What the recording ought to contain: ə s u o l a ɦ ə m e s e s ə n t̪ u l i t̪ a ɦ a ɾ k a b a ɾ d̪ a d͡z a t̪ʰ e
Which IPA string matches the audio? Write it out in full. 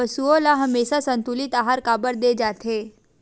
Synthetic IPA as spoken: ə s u o l a ɦ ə m e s a s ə n t̪ u l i t̪ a ɦ a ɾ k a b ə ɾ d̪ e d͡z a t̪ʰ e